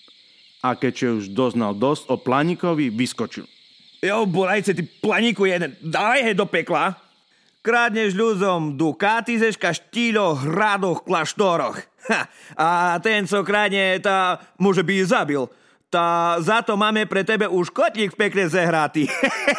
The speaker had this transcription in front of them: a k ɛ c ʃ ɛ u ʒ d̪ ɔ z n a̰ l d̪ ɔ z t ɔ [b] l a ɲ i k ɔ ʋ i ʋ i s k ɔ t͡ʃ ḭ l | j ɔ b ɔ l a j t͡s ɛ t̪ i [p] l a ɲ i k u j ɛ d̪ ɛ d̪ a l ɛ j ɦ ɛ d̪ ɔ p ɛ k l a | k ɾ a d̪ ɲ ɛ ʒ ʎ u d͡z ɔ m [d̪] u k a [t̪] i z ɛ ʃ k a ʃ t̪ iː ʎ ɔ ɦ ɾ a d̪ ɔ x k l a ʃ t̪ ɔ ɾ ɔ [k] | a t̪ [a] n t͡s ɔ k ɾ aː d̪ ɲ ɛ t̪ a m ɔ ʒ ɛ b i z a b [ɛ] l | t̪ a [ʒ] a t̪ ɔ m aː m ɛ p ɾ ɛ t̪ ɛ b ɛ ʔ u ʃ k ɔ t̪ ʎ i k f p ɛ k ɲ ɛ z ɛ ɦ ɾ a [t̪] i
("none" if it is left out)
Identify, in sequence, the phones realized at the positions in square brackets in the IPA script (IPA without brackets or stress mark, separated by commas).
p, p, d̪, t̪, x, ɛ, i, z, t̪